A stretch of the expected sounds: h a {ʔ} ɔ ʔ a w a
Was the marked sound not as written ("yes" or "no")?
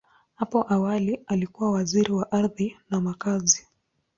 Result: yes